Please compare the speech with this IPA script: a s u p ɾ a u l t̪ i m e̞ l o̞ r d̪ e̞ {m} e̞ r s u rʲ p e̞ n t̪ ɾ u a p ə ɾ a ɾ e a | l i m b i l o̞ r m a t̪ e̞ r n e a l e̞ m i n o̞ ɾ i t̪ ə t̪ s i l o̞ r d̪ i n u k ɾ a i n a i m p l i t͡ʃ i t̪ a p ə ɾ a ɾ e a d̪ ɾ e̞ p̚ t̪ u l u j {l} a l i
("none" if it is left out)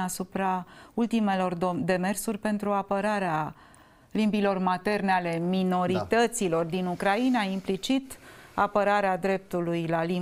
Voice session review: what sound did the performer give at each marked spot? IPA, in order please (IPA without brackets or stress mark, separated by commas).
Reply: m, l